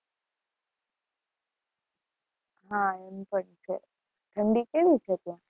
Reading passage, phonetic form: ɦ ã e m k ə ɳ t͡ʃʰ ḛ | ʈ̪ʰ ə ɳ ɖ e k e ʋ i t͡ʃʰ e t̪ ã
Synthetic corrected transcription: ɦ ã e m p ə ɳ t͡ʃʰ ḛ | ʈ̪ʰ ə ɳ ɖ i k e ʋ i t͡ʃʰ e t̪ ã